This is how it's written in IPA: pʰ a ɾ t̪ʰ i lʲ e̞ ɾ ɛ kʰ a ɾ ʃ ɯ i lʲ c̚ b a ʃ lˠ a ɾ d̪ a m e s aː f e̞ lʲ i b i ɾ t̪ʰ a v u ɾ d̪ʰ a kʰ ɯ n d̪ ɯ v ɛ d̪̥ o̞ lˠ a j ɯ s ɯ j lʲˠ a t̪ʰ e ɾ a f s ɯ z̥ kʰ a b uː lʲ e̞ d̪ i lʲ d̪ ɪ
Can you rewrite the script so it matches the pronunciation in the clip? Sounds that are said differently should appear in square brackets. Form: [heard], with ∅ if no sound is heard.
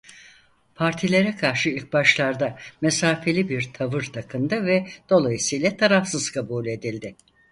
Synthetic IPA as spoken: pʰ a ɾ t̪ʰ i lʲ e̞ ɾ ɛ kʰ a ɾ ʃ ɯ i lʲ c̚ b a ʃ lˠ a ɾ d̪ a m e s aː f e̞ lʲ i b i ɾ t̪ʰ a v [ɯ] ɾ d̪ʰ a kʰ ɯ n d̪ ɯ v ɛ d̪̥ o̞ lˠ a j ɯ s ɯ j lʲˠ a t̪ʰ [a] ɾ a f s ɯ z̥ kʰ a b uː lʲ e̞ d̪ i lʲ d̪ ɪ